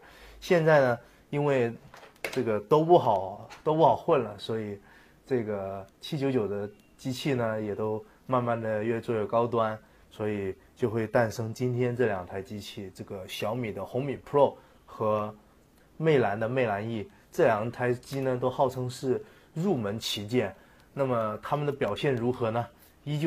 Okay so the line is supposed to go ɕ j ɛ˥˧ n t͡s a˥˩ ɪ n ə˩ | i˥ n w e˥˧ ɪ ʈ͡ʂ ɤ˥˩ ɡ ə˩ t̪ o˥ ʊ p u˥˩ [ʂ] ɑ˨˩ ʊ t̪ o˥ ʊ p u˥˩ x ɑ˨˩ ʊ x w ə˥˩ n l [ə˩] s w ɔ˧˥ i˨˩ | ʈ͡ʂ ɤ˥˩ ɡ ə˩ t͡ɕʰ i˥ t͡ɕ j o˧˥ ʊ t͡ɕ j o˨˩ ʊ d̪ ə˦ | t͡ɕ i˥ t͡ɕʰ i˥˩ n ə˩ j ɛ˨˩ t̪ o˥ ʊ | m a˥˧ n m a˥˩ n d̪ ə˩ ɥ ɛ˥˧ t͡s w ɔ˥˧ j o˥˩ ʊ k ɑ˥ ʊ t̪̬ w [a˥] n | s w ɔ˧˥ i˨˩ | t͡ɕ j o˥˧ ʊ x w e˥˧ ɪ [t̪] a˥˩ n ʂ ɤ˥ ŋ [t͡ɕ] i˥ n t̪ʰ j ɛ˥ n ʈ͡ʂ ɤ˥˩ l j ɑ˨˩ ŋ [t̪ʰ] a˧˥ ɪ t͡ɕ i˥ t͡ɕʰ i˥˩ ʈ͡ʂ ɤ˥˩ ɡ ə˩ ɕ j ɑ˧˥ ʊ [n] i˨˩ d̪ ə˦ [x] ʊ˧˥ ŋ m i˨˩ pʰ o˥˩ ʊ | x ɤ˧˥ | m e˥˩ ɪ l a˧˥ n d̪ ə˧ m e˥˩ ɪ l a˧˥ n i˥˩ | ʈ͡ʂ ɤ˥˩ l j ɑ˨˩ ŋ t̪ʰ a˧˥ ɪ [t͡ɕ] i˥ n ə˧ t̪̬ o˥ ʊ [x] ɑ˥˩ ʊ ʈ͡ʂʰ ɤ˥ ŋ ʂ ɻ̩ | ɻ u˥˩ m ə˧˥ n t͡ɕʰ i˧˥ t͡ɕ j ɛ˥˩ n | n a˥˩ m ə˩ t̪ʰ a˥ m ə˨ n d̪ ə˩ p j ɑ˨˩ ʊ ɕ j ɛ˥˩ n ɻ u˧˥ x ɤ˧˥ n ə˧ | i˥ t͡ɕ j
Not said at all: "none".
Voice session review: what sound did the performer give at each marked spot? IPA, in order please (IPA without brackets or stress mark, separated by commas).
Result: x, ə˩, a˥, t̪, t͡ɕ, t̪ʰ, m, x, t͡ɕ, x